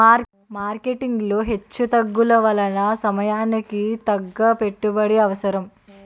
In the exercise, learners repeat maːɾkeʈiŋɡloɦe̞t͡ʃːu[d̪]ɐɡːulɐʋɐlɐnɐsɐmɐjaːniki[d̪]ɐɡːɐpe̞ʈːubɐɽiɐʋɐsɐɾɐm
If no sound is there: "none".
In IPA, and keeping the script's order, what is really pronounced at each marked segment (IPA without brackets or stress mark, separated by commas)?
t̪, t̪